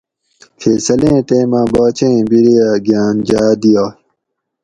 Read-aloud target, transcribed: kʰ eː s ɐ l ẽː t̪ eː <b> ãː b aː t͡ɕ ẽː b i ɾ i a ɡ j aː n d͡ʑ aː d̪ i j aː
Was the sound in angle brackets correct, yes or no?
no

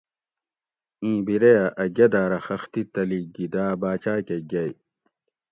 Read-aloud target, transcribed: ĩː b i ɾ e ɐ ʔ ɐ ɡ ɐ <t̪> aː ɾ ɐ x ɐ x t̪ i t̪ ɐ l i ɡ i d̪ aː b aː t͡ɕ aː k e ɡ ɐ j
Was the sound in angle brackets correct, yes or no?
no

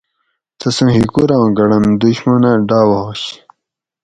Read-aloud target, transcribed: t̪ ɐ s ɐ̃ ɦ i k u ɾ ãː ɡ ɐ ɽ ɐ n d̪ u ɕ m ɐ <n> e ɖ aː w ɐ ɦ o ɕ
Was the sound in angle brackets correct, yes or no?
yes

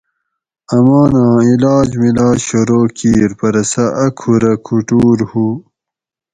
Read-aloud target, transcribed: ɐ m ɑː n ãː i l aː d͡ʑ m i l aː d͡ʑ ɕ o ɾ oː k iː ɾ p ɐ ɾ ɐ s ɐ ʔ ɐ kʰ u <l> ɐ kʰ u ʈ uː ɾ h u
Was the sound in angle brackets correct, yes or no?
no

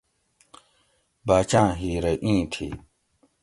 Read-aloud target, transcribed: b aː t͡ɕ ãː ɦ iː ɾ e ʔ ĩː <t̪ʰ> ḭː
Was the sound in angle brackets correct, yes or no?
yes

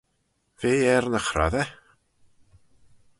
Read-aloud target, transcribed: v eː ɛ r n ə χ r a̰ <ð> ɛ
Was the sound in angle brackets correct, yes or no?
yes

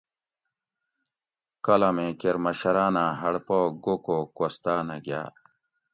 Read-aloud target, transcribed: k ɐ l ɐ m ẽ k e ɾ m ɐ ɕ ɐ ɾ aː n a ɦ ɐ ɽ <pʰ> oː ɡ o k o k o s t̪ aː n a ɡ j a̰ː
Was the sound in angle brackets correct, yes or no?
no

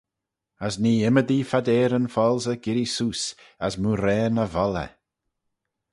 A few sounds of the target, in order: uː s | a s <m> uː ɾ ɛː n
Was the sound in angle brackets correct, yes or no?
yes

